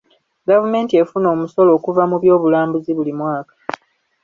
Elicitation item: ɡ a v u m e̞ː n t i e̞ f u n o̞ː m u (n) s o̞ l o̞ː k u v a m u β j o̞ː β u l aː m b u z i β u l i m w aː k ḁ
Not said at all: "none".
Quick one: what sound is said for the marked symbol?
none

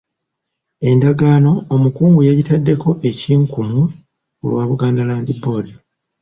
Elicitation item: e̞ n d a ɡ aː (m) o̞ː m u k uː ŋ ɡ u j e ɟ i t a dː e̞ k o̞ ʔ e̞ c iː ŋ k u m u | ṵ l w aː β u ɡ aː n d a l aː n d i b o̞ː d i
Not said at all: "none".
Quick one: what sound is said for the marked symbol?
n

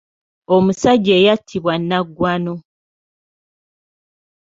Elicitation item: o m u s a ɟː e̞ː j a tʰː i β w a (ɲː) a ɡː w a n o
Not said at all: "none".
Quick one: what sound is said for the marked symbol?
nː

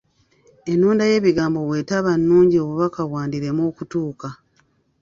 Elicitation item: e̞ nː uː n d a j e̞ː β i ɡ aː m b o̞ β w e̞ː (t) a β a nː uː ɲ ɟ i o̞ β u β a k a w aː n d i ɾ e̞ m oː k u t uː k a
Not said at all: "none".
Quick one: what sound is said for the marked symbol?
t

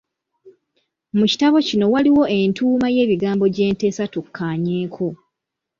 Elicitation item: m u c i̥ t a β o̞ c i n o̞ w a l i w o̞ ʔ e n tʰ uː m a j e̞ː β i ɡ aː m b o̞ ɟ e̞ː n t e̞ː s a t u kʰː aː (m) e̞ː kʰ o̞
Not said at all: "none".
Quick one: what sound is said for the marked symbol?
ɲ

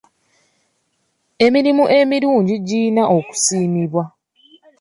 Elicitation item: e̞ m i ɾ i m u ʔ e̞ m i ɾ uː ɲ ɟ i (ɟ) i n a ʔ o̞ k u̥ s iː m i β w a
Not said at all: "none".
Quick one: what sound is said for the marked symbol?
ɟ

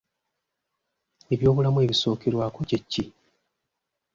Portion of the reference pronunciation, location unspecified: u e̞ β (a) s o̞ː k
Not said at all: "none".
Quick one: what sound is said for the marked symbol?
i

